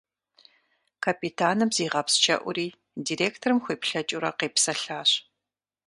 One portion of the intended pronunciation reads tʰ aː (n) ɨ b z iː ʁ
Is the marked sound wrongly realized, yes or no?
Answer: no